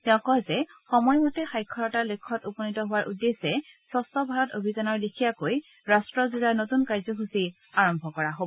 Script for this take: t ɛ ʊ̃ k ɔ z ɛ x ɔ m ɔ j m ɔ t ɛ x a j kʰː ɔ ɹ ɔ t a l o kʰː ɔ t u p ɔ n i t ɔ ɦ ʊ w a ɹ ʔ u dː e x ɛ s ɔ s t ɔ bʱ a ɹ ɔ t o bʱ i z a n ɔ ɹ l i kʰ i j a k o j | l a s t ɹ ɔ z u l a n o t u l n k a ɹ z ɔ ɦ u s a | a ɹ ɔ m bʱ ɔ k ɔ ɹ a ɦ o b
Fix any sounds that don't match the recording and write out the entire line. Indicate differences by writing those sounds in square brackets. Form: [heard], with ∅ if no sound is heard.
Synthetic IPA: t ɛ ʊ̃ k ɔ z ɛ x ɔ m ɔ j m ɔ t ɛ x a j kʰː ɔ ɹ ɔ t a l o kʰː ɔ t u p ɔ n i t ɔ ɦ ʊ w a ɹ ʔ u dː e [s] ɛ s ɔ s t ɔ bʱ a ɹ ɔ t o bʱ i z a n ɔ ɹ l i kʰ i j a k o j | [ɹ] a s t ɹ ɔ z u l a n o t u [∅] n k a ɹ z ɔ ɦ u s [i] | a ɹ ɔ m bʱ ɔ k ɔ ɹ a ɦ o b